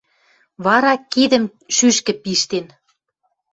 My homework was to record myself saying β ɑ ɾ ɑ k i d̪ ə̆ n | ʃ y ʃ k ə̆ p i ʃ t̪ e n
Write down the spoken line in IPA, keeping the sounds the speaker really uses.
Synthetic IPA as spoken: β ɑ ɾ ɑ k i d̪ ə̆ m | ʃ y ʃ k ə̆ p i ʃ t̪ e n

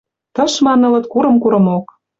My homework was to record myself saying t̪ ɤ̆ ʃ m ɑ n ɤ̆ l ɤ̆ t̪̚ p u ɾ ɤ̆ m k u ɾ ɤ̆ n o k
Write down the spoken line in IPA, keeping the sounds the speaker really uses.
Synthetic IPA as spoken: t̪ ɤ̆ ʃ m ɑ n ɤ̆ l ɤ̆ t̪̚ k u ɾ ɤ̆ m k u ɾ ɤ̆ m o k

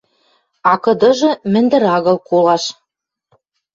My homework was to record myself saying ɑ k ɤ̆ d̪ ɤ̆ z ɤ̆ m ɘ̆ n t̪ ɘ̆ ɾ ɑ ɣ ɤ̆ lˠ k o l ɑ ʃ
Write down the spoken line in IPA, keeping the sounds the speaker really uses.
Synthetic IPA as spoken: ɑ k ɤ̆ d̪ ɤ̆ ʒ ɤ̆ m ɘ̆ n d̪ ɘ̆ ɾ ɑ ɣ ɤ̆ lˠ k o l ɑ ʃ

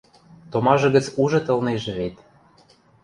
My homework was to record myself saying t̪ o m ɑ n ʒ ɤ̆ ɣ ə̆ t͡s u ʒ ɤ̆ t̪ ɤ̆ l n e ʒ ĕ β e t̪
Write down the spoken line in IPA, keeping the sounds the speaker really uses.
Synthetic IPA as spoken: t̪ o m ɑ ʒ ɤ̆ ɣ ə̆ t͡s u ʒ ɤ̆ t̪ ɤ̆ l n e ʒ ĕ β e t̪

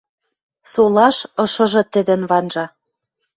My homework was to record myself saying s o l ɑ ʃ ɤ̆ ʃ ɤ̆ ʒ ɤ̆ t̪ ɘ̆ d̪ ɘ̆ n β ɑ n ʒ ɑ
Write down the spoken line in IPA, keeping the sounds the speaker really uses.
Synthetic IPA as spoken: s o l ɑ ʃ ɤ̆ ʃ ɤ̆ ʒ ɤ̆ t̪ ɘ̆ d̪ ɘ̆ n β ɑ n ʒ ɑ

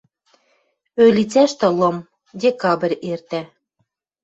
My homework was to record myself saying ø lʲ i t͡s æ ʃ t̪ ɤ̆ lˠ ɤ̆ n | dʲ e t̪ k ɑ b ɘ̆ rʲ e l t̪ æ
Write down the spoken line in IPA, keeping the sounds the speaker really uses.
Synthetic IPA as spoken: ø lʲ i t͡s æ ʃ t̪ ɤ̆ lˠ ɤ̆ m | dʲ e k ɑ b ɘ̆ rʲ e r t̪ æ

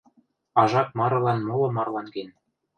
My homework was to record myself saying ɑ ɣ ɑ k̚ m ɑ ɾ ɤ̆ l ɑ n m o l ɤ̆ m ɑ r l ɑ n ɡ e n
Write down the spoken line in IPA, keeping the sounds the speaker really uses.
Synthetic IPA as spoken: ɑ ʒ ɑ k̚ m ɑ ɾ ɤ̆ l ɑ n m o l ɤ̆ m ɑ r l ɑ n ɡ e n

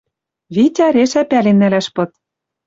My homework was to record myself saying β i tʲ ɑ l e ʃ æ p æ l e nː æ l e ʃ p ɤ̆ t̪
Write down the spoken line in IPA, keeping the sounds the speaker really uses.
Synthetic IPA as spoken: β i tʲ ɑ ɾ e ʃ æ p æ l e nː æ l æ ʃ p ɤ̆ t̪

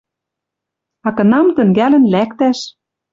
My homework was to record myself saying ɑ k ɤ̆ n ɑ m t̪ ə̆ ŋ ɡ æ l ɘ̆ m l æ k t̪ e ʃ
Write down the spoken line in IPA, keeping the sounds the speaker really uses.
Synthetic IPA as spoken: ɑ k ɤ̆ n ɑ m t̪ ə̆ ŋ ɡ æ l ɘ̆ n l æ k t̪ æ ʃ

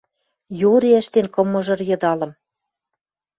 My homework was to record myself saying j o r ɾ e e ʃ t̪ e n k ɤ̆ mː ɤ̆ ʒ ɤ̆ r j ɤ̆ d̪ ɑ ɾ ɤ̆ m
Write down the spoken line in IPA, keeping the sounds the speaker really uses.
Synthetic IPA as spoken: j o ɾ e æ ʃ t̪ e n k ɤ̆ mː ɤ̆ ʒ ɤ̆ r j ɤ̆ d̪ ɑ l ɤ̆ m

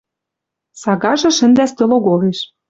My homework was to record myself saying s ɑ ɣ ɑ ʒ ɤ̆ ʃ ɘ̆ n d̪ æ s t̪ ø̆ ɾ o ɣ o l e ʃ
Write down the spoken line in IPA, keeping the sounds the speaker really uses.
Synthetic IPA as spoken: s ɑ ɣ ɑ ʒ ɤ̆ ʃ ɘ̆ n d̪ æ s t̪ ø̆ l o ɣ o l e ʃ

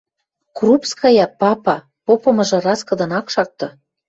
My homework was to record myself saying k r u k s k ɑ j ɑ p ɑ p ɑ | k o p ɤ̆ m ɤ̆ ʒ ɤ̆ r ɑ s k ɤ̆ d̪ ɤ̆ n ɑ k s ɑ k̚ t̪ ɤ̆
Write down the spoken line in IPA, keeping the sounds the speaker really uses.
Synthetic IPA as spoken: k r u p s k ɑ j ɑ p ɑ p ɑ | p o p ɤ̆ m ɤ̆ ʒ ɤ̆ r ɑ s k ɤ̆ d̪ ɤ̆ n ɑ k ʃ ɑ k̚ t̪ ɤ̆

